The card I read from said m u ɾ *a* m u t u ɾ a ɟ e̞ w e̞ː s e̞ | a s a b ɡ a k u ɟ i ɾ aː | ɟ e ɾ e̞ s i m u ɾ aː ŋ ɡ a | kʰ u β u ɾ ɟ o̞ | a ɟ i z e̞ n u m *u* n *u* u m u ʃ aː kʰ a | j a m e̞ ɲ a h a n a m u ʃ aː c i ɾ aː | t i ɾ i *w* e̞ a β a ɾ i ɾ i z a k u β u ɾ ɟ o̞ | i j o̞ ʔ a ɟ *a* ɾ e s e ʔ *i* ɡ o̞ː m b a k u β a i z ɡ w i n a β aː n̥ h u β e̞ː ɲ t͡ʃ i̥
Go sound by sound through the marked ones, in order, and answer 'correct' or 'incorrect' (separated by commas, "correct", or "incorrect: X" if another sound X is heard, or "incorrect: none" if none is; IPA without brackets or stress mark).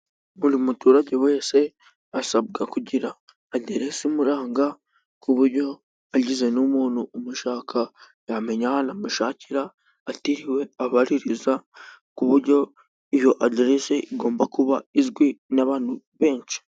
incorrect: i, incorrect: uː, correct, correct, incorrect: e, correct